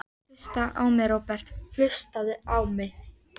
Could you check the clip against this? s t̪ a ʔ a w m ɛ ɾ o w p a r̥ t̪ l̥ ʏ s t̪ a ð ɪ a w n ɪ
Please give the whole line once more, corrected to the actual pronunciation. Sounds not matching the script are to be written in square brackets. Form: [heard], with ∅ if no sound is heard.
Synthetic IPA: s t̪ a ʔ a w m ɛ ɾ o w p [ɛ] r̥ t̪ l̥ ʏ s t̪ a ð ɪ a w [m] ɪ

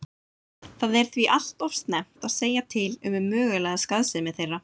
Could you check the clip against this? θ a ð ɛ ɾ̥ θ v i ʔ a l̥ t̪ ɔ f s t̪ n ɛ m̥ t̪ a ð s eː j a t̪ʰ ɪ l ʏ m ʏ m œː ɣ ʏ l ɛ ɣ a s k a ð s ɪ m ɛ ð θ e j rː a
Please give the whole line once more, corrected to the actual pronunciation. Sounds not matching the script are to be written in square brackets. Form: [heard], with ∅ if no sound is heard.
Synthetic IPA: θ a ð ɛ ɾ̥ θ v i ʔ a l̥ t̪ ɔ f s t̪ n ɛ m̥ t̪ a ð s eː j a t̪ʰ ɪ l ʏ m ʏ m œː ɣ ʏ l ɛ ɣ a s k a ð s ɪ m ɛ ð θ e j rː a

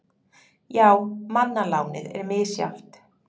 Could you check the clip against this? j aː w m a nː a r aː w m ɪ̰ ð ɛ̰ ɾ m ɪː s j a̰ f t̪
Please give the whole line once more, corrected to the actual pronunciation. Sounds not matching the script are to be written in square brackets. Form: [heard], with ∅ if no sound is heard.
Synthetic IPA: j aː w m a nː a [l] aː w [n] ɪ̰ ð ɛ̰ ɾ m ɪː s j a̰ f t̪

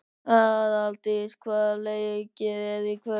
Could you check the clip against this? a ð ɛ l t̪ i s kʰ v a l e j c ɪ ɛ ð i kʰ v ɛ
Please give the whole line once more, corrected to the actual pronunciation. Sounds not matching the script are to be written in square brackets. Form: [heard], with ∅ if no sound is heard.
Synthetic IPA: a ð [a] l t̪ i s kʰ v a l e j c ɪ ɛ ð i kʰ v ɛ

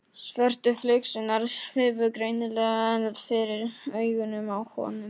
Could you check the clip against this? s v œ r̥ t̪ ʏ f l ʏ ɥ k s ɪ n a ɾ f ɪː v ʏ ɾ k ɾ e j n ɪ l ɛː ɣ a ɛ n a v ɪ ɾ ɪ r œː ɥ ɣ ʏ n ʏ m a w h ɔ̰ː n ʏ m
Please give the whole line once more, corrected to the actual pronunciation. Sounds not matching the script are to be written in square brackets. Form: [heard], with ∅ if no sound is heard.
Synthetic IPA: s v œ r̥ t̪ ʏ f l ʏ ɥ k s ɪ n a ɾ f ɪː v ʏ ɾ k ɾ e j n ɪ l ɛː ɣ a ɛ n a [f] ɪ ɾ ɪ [ɾ] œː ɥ ɣ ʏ n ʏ m a w h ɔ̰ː n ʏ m

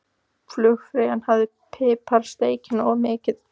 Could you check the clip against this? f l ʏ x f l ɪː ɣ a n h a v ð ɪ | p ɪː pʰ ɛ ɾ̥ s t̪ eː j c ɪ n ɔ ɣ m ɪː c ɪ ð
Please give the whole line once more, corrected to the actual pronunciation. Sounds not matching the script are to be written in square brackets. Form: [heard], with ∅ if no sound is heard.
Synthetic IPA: f l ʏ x f [ɾ] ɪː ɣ a n h a v ð ɪ | [pʰ] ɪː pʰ [a] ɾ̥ s t̪ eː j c ɪ n ɔ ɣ m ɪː c ɪ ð

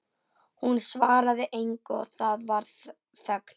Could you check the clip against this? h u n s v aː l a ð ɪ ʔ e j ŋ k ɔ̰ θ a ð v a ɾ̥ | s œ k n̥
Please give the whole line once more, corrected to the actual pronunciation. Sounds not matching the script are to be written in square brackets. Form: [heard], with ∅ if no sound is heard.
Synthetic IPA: h u n s v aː [ɾ] a ð ɪ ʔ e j ŋ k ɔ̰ θ a ð v a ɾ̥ | [θ] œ k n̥

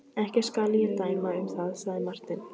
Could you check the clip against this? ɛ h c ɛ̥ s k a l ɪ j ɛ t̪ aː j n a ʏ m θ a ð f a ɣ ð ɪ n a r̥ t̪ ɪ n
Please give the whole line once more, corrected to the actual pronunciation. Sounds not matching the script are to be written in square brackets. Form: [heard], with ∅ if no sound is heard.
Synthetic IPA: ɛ h c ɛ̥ s k a l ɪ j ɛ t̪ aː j [m] a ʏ m θ a ð [s] a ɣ ð ɪ [m] a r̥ t̪ ɪ n

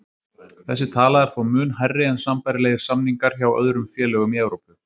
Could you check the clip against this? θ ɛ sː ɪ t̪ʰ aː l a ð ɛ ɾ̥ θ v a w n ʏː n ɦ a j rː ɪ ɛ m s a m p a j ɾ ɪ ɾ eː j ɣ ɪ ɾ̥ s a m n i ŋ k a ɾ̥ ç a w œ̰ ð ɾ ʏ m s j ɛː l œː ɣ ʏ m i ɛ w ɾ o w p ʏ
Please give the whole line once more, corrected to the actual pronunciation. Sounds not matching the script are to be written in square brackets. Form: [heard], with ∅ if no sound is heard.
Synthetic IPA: θ ɛ sː ɪ t̪ʰ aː l a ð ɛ ɾ̥ θ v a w [m] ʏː n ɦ a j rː ɪ ɛ [n] s a m p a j ɾ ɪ [l] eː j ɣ ɪ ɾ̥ s a m n i ŋ k a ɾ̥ ç a w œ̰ ð ɾ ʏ m [f] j ɛː l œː ɣ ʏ m i ɛ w ɾ o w p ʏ

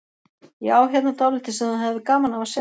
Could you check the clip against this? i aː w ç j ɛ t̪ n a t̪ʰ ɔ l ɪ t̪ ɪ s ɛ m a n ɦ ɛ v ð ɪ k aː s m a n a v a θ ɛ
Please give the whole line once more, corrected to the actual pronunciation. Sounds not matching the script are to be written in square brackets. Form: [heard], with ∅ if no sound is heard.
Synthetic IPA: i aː w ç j ɛ t̪ n a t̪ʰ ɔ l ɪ t̪ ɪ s ɛ m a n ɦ ɛ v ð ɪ k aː [∅] m a n a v a [s] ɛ

